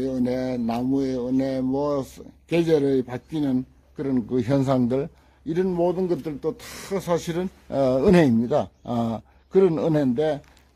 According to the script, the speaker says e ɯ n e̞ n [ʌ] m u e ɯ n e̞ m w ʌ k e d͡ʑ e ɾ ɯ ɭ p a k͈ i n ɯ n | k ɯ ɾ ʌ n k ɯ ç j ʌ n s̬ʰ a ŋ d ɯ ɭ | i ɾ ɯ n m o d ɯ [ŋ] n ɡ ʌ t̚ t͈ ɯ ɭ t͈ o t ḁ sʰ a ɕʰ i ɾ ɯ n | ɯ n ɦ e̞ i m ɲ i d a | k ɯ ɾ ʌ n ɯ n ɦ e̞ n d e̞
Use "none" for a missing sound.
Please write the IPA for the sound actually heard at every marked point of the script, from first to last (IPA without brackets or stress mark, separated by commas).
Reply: a, none